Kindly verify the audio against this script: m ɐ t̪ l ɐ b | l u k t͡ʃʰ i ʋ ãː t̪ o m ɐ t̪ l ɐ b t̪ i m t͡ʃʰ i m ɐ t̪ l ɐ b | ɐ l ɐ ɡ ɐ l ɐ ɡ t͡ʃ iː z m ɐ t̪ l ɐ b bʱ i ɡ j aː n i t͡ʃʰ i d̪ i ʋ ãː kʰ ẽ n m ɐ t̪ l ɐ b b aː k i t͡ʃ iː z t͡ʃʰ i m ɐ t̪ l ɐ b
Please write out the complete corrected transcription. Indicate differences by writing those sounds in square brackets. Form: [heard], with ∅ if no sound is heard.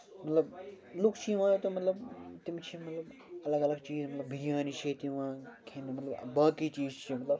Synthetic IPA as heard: m ɐ t̪ l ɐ b | l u k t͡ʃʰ i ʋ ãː t̪ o m ɐ t̪ l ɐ b t̪ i m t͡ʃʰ i m ɐ t̪ l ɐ b | ɐ l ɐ ɡ ɐ l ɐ ɡ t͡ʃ iː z m ɐ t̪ l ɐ b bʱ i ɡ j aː n i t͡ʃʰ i [t̪] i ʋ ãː kʰ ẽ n m ɐ t̪ l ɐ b b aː k i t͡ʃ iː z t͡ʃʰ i m ɐ t̪ l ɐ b